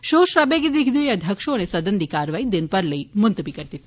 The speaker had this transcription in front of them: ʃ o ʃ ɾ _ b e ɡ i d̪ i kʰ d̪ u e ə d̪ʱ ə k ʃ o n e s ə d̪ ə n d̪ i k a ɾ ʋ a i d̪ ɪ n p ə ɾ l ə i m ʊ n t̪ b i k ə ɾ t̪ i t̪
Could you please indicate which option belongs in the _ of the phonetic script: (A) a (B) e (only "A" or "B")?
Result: A